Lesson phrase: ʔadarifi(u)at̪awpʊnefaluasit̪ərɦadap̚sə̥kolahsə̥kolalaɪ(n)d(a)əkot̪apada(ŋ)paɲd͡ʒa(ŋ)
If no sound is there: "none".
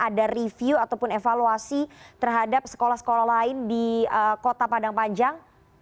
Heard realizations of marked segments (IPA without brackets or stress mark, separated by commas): u, n, i, ŋ, ŋ